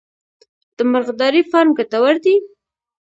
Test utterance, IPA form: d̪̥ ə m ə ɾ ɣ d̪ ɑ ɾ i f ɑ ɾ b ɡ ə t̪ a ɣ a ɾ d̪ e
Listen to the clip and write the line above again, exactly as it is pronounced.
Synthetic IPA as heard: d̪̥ ə m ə ɾ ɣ d̪ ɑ ɾ i f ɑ ɾ m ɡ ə t̪ a w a ɾ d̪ i